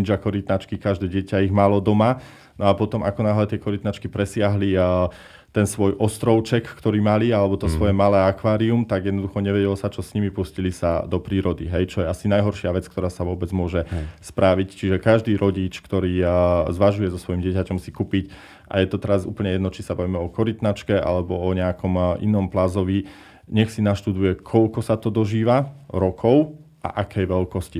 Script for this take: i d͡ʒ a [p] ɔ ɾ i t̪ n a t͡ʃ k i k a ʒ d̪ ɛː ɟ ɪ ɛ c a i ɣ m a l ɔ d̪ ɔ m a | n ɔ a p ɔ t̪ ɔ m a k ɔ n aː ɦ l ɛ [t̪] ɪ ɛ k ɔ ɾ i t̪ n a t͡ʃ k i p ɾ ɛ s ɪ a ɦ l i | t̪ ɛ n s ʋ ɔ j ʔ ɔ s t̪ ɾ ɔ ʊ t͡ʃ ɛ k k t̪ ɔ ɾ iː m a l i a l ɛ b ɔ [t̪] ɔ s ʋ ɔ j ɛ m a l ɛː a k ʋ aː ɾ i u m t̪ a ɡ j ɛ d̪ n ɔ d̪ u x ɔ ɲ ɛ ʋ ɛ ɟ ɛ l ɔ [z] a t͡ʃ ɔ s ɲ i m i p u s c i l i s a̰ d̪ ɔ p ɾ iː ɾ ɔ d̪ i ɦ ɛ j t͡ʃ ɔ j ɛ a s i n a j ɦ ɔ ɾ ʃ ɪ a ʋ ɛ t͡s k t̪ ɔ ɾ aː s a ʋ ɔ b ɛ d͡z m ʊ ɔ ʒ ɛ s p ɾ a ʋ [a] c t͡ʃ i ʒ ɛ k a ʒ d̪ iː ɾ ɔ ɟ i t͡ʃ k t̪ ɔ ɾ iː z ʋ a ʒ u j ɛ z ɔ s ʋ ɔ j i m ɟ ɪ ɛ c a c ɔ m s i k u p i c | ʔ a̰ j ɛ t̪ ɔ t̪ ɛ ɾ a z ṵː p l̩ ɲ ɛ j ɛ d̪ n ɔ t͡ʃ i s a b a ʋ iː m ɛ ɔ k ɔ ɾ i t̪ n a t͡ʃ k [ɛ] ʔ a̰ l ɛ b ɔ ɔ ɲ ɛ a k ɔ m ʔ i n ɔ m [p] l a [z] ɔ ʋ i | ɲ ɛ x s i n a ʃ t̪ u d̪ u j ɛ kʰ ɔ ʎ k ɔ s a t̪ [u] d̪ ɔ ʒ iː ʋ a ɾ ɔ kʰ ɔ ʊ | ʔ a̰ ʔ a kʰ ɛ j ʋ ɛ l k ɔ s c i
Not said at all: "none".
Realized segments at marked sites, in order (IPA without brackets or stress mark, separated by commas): k, t̪, t̪, s, i, ɛ, p, z, ɔ